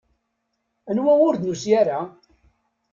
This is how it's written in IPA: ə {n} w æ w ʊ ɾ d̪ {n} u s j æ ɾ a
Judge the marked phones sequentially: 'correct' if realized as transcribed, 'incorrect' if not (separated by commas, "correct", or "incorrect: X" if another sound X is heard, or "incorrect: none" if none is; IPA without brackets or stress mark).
correct, correct